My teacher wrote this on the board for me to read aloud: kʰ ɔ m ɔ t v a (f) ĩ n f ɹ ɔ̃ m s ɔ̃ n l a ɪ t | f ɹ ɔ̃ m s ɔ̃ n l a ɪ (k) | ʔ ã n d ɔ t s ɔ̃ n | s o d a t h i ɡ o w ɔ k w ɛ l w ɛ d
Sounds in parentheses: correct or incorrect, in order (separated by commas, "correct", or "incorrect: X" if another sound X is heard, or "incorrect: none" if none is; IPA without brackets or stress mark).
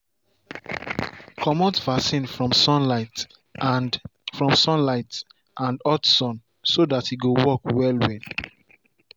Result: incorrect: s, incorrect: t